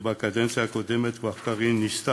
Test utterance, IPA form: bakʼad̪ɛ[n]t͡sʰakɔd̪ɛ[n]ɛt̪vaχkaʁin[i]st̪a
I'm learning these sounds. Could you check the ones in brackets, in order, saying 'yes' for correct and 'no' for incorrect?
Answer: yes, no, yes

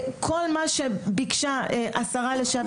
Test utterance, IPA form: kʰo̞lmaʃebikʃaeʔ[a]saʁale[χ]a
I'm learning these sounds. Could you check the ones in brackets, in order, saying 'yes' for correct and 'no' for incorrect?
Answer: yes, no

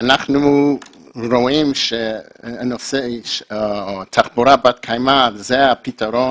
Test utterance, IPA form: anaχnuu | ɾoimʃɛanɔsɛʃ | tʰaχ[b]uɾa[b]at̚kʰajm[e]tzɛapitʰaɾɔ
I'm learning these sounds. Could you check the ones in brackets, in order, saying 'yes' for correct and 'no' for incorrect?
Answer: yes, yes, no

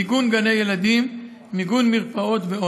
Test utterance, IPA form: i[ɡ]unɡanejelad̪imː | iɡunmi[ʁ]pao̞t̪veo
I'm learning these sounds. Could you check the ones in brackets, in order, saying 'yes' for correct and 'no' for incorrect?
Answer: yes, yes

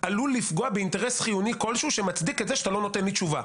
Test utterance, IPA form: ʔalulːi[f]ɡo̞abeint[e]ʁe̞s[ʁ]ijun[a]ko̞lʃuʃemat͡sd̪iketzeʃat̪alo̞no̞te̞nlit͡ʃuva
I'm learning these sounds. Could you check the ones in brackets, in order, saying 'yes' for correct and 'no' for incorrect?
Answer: yes, yes, no, no

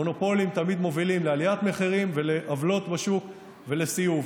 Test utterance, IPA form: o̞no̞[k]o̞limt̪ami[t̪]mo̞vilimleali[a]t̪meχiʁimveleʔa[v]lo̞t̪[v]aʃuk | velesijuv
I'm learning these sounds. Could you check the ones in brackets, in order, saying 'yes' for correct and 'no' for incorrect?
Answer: no, no, yes, yes, no

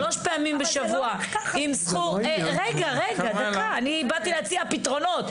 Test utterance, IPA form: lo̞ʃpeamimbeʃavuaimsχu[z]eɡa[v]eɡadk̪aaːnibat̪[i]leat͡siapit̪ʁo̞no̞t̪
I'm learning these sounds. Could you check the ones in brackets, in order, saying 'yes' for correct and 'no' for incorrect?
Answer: no, no, yes

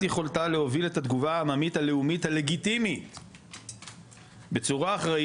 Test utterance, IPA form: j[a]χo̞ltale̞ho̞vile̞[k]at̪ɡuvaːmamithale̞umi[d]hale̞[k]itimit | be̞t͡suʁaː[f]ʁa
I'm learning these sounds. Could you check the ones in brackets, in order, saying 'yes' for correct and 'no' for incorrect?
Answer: no, no, no, no, no

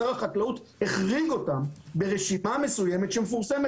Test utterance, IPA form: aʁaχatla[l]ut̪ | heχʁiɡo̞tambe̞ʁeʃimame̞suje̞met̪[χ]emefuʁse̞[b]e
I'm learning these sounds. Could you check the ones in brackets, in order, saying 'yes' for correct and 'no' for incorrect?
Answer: no, no, no

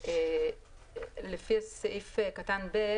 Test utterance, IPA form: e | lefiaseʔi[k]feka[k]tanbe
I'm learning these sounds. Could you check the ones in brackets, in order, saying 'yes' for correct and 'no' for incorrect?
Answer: no, no

